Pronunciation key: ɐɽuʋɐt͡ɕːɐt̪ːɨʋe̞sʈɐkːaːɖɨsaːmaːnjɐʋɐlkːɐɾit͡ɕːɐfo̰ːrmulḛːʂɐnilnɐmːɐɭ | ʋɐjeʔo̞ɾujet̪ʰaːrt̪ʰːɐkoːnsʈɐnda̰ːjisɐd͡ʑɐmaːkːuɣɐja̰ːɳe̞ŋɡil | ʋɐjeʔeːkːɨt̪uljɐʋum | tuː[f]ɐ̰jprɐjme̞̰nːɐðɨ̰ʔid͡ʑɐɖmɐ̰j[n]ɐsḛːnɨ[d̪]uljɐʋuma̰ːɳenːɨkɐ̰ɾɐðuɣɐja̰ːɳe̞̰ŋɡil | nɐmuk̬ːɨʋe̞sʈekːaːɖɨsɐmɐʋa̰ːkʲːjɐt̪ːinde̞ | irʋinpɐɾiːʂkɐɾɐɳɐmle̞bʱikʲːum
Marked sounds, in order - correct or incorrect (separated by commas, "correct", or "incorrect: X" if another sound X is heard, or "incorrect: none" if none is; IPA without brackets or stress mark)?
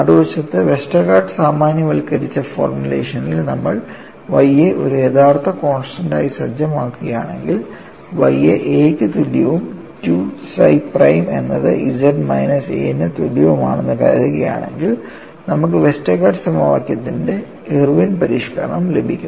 incorrect: s, correct, incorrect: t̪